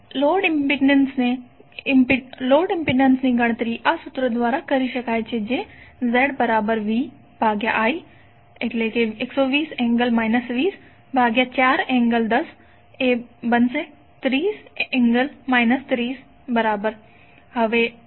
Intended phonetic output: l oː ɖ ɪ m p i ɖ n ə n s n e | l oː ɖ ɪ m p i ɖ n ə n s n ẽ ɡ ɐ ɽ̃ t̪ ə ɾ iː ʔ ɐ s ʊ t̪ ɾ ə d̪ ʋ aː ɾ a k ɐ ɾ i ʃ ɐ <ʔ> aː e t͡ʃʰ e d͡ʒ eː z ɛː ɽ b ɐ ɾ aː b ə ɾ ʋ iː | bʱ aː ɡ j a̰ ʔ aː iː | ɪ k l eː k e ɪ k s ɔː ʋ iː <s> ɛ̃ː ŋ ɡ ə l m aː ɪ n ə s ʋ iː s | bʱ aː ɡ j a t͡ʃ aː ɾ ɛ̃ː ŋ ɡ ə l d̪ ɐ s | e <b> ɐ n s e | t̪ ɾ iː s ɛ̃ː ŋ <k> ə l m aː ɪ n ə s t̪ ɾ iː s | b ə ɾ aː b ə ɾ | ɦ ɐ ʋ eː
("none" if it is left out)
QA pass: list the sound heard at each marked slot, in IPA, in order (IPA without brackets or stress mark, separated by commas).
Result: k, s, b, ɡ